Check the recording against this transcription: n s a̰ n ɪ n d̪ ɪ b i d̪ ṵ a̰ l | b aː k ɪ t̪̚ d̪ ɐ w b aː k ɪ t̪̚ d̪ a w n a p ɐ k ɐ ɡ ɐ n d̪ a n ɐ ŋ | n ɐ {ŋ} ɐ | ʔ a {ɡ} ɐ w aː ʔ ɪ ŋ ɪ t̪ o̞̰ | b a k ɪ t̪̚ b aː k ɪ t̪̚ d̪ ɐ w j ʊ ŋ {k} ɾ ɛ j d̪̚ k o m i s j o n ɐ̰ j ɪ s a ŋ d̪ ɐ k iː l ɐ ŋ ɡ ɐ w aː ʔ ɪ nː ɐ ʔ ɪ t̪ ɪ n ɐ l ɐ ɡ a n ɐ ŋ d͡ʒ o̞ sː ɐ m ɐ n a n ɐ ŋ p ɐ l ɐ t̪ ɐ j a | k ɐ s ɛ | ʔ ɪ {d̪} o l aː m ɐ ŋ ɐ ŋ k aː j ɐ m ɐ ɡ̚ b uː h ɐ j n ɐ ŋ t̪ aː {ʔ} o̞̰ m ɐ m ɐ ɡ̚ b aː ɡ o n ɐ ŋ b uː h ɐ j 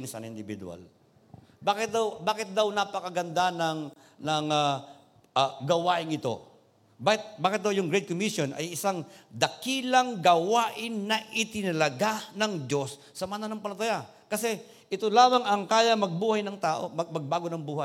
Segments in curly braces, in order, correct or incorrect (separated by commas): correct, correct, incorrect, incorrect, correct